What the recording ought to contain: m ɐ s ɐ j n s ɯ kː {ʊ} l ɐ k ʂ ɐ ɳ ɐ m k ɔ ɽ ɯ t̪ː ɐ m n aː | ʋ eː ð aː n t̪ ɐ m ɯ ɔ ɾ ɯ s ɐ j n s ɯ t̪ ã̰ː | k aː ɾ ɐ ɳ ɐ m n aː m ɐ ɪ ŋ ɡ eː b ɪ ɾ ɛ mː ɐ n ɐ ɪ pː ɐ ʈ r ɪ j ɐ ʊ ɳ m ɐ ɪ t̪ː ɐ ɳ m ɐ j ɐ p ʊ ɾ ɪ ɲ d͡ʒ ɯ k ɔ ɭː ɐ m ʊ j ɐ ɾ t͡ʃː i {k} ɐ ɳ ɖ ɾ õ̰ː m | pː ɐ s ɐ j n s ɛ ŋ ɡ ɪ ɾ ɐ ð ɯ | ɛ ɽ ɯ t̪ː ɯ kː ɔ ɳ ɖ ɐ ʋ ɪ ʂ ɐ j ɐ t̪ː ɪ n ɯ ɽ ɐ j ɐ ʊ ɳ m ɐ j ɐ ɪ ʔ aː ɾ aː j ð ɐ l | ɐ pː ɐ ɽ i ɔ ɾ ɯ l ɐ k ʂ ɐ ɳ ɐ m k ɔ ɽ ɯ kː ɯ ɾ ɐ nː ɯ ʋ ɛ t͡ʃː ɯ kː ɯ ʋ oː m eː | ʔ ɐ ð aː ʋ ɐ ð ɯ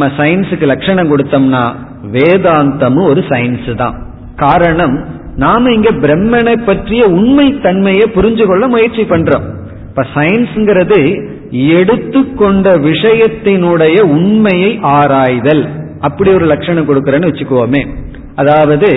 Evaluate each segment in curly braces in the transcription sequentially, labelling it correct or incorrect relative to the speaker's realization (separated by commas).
incorrect, incorrect